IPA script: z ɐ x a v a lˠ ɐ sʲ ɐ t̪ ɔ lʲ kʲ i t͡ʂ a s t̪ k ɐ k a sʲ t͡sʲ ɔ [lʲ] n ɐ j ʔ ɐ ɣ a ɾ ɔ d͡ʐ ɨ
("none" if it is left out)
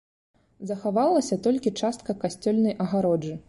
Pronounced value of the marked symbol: lʲ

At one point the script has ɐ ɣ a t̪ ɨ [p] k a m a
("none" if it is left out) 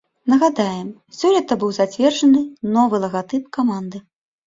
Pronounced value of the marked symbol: p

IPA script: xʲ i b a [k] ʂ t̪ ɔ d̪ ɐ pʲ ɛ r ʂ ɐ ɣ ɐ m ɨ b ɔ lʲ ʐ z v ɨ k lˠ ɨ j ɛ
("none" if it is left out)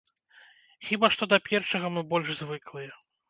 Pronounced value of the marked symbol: none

